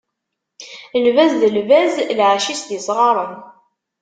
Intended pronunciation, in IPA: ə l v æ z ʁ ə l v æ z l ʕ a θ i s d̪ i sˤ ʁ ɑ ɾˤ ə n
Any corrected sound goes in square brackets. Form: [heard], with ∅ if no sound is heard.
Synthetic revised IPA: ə l v æ z [ð] ə l v æ z l ʕ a [ʃ] i s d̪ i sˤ ʁ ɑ ɾˤ ə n